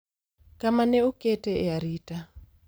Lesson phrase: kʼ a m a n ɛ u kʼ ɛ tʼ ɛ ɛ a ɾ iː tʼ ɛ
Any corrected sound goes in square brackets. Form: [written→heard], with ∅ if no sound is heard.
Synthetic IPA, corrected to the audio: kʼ a m a n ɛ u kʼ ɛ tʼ ɛ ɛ a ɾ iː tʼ [ɛ→a]